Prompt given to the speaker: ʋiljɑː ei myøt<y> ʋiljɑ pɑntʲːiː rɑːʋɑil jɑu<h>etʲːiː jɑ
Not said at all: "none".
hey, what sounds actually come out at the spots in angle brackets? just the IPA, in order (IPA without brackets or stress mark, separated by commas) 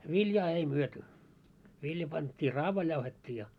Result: y, h